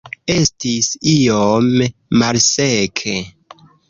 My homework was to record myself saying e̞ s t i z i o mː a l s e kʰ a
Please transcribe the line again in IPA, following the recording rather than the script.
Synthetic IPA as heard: e̞ s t i s i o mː a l s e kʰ e